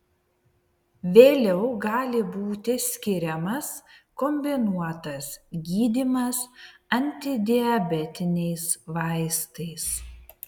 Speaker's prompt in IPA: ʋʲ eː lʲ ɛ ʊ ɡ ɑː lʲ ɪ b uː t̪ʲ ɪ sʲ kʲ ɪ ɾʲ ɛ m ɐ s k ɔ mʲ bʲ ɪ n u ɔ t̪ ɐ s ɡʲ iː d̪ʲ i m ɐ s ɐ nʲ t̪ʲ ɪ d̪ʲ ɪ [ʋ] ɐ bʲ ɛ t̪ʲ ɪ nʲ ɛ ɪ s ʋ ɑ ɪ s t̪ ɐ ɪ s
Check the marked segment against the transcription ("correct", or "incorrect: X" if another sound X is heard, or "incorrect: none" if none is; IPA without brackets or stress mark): incorrect: none